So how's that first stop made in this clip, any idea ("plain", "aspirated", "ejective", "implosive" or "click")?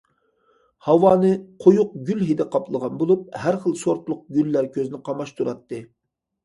aspirated